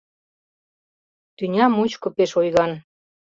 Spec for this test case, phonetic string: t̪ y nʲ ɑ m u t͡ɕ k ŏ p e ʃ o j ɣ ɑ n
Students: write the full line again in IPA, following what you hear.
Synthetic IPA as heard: t̪ y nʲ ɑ m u t͡ɕ k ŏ p e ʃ o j ɣ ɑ n